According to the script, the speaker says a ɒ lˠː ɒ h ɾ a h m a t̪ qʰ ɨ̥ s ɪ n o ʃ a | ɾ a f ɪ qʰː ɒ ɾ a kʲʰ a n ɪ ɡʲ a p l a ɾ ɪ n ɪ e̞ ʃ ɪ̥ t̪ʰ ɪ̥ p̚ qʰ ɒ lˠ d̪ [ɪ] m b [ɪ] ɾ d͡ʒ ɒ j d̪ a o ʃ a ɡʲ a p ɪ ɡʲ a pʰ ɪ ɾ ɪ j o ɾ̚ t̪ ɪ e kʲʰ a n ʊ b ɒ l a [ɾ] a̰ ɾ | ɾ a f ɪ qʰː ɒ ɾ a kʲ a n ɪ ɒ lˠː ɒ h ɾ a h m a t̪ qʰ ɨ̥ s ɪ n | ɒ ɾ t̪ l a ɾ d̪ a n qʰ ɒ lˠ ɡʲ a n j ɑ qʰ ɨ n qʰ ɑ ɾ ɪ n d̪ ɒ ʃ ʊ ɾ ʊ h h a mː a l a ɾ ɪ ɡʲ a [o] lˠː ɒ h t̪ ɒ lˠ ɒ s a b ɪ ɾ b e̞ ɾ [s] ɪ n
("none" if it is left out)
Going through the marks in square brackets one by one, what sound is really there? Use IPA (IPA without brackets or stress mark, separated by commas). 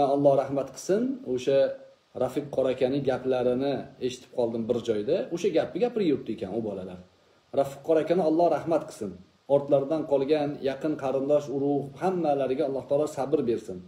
ɪ, ɪ, l, ɒ, s